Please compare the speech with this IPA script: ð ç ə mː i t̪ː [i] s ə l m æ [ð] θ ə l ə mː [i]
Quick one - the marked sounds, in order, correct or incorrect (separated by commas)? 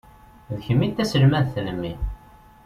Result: incorrect, correct, correct